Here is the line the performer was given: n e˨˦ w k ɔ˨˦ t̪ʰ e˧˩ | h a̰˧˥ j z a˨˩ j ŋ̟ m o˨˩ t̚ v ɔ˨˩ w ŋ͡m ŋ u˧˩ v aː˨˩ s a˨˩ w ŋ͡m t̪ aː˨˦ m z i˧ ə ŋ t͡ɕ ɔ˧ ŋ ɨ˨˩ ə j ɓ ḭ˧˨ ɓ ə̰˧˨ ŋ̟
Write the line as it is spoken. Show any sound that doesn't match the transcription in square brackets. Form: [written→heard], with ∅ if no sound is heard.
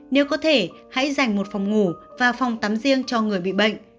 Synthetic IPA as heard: n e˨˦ w k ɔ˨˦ t̪ʰ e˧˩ | h a̰˧˥ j z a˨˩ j ŋ̟ m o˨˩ t̚ [v→f] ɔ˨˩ w ŋ͡m ŋ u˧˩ v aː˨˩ [s→f] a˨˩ w ŋ͡m t̪ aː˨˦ m z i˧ ə ŋ t͡ɕ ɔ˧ ŋ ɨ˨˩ ə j ɓ ḭ˧˨ ɓ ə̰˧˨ ŋ̟